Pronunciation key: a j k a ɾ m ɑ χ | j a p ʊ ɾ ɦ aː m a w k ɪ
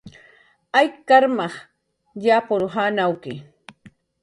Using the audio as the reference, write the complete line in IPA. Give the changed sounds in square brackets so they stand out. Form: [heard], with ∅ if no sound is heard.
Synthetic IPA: a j k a ɾ m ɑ χ | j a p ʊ ɾ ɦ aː [n] a w k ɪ